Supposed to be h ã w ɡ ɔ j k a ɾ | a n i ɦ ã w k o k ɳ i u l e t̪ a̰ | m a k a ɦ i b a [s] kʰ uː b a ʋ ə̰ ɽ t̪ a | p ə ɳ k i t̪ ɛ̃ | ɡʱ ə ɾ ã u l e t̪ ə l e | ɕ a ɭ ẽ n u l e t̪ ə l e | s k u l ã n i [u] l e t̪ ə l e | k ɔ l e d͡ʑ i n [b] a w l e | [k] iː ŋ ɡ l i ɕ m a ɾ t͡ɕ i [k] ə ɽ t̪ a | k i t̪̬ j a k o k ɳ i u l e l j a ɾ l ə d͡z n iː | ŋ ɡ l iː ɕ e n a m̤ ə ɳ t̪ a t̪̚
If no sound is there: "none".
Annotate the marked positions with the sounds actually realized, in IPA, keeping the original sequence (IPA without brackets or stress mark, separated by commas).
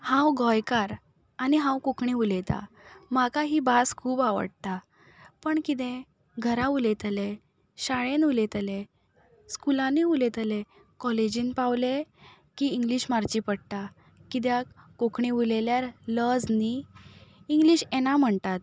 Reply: s, u, p, k, p